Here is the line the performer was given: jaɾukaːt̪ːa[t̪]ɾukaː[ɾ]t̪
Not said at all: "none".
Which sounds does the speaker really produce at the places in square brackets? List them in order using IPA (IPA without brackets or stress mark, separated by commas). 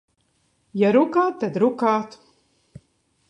d̪, none